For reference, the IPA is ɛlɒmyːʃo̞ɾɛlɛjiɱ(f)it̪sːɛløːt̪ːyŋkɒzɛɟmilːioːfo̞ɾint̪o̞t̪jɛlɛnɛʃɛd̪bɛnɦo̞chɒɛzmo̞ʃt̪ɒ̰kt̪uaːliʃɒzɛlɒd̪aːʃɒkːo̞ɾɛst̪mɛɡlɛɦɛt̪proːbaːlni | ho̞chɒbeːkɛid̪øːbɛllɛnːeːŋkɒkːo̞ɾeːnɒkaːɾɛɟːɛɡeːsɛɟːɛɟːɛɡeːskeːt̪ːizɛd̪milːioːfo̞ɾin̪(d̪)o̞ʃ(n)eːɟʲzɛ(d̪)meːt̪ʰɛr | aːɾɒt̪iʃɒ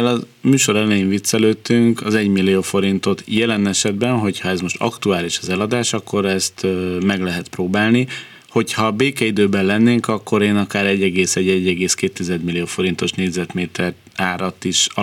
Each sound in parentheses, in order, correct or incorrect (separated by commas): incorrect, incorrect, correct, incorrect